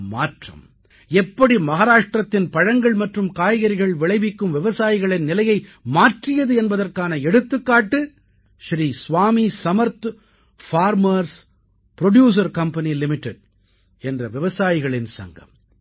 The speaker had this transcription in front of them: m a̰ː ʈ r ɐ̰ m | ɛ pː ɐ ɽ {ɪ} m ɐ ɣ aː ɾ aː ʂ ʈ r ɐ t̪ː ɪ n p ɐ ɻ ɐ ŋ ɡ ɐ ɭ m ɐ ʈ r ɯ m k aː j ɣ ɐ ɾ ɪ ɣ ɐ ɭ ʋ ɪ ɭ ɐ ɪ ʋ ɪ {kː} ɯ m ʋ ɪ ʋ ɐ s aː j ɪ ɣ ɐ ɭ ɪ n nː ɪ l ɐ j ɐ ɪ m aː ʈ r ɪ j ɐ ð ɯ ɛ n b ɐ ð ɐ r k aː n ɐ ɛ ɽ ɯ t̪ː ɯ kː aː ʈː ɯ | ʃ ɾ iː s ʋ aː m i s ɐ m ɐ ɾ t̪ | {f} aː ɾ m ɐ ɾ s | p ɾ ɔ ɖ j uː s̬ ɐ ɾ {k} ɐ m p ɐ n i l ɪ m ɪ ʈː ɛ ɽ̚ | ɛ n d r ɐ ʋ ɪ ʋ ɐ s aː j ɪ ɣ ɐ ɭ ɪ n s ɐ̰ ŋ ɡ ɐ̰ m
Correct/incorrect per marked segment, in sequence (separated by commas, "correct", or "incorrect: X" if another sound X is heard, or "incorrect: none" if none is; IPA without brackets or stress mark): incorrect: i, correct, correct, correct